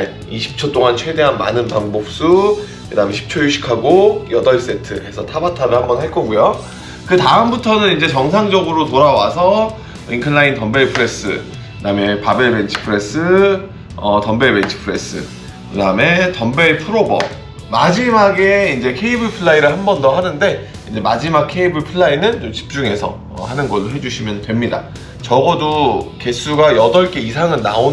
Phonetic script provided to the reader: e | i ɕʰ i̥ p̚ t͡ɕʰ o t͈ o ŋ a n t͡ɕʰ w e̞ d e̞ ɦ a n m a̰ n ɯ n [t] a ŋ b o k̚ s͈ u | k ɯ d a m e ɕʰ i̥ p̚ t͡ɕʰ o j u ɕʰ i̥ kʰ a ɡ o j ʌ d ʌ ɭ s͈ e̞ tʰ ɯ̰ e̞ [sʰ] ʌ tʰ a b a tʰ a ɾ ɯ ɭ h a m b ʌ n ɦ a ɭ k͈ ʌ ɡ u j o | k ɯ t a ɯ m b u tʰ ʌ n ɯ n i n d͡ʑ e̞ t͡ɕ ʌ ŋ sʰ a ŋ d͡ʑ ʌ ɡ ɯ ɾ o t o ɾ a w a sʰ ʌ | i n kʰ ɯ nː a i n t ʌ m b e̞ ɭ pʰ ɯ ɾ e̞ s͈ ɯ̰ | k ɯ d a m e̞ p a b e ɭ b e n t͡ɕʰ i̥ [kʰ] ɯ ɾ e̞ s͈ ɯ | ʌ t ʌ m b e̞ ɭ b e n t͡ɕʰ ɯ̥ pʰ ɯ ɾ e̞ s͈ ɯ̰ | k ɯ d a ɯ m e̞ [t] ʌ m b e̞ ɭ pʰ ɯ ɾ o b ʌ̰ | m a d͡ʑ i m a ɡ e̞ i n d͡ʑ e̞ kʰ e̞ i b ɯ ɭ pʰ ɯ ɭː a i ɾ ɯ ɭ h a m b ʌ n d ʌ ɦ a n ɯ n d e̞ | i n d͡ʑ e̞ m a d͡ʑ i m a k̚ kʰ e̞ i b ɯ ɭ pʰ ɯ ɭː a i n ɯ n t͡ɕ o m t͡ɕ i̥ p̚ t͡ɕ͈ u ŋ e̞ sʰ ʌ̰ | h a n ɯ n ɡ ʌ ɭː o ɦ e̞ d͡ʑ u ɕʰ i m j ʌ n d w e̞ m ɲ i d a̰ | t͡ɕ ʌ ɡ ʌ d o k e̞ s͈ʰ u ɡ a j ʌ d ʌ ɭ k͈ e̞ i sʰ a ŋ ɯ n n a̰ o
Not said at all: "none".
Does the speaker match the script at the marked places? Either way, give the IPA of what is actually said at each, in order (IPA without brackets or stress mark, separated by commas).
p, sʰ, pʰ, t